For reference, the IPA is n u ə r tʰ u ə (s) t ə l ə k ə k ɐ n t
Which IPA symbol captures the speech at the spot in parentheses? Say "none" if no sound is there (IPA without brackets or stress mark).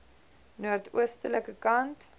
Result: s